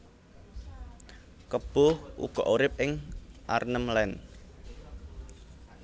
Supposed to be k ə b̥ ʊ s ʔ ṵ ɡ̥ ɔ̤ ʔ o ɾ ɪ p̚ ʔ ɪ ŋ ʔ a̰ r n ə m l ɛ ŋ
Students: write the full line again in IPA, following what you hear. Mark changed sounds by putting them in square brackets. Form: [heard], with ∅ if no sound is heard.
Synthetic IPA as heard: k ə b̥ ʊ [h] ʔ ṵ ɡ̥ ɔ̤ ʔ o ɾ ɪ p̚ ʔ ɪ ŋ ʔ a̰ r n ə m l ɛ [n]